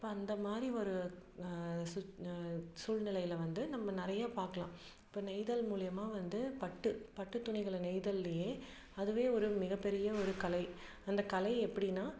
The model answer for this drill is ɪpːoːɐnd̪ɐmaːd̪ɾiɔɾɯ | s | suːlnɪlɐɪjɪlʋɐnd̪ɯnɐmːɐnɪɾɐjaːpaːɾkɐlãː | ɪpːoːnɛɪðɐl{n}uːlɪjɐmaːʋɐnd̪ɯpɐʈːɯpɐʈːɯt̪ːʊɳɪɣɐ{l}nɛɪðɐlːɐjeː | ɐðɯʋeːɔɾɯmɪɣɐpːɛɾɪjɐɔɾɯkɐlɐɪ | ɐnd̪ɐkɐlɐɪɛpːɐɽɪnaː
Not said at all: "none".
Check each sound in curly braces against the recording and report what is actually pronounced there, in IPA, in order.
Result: m, ɭ

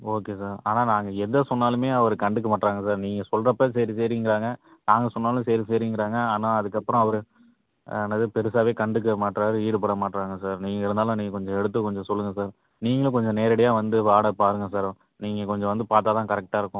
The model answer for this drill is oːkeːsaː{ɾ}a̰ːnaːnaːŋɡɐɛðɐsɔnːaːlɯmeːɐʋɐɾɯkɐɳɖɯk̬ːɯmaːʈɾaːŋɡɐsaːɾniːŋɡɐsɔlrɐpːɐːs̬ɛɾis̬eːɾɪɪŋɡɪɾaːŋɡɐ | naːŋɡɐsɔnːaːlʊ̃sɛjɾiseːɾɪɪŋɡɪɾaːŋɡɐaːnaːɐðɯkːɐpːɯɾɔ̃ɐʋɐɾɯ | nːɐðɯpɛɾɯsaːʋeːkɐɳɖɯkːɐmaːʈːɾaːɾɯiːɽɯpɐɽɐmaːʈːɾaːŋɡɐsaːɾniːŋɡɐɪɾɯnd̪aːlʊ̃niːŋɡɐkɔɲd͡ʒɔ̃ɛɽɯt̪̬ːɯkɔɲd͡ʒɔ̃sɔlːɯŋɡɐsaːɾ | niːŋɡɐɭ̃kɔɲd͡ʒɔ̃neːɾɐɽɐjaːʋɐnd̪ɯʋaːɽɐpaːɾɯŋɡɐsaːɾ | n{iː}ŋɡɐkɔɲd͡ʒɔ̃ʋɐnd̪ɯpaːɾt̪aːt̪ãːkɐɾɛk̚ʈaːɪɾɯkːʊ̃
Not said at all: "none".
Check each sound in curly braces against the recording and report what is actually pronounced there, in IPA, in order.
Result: ɾ, iː

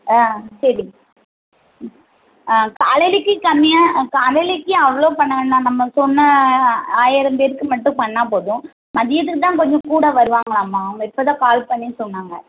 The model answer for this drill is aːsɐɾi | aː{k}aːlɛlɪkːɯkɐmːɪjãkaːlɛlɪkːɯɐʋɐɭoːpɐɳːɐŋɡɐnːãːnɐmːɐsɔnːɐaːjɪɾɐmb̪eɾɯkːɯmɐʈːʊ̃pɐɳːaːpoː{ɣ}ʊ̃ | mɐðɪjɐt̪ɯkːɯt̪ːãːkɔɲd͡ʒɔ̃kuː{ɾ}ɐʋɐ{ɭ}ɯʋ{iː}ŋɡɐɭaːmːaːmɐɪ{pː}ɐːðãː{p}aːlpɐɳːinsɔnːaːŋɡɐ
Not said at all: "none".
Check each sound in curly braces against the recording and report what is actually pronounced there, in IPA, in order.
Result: k, ð, ɽ, ɾ, aː, pː, k

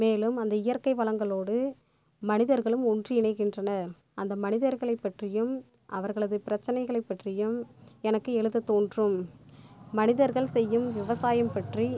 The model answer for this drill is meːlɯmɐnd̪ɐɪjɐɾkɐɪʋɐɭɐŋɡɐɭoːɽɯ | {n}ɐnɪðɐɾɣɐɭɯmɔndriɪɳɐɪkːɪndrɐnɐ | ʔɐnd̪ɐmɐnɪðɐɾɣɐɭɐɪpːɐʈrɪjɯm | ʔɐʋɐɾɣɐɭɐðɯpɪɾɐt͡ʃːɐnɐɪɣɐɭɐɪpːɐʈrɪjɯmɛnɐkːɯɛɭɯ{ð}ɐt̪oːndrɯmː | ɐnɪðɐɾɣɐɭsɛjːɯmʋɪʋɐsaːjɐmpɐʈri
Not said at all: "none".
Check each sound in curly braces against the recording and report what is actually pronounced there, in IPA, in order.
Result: m, ð

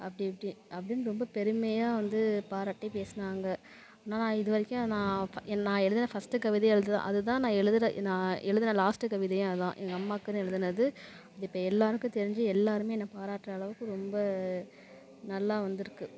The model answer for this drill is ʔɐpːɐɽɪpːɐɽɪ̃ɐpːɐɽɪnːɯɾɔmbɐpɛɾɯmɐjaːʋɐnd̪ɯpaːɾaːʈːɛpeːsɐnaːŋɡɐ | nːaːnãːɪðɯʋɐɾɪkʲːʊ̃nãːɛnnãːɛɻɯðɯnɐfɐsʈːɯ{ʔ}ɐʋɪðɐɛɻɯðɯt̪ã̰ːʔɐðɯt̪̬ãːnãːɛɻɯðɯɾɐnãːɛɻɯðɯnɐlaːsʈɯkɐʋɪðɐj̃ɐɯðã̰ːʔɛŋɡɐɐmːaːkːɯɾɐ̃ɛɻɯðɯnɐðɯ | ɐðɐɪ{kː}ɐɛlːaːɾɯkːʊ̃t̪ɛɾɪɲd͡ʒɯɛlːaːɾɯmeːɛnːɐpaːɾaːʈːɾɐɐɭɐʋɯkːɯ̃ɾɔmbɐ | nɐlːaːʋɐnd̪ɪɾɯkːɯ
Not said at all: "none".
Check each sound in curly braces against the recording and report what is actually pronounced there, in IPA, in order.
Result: k, pː

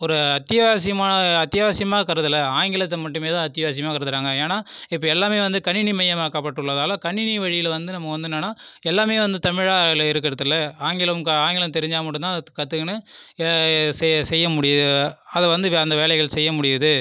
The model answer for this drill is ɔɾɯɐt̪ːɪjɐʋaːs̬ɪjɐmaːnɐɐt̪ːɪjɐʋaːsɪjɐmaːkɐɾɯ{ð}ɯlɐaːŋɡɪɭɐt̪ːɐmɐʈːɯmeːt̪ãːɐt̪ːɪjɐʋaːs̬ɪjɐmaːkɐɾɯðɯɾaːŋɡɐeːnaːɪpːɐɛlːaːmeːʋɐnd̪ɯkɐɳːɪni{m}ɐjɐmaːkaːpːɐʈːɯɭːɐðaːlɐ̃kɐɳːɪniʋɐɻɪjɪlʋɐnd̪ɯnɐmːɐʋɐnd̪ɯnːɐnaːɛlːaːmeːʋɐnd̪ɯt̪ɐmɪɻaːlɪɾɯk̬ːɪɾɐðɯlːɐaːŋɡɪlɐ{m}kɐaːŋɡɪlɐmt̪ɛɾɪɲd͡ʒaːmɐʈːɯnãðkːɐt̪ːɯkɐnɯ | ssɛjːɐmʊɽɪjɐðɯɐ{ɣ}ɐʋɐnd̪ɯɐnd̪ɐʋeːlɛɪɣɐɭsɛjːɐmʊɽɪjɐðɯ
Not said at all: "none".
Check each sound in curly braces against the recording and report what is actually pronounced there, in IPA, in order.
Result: ð, m, m, ð

